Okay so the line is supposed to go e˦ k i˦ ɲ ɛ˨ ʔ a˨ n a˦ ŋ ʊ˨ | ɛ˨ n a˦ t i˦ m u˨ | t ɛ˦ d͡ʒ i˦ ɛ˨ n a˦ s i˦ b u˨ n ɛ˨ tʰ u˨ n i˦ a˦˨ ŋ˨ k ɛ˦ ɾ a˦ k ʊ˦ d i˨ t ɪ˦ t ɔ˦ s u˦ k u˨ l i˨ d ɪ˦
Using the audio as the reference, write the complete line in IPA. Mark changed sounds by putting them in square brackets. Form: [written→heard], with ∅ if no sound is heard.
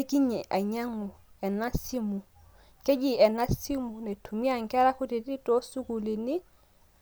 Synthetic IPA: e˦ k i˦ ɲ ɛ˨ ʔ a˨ [n→ɲ] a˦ ŋ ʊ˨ | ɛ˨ n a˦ [t→s] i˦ m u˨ | [t→k] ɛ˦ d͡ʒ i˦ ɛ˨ n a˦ s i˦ [b→m] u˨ n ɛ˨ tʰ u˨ [n→m] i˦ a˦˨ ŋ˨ k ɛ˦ ɾ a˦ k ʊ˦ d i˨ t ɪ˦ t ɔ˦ s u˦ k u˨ l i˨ [d→n] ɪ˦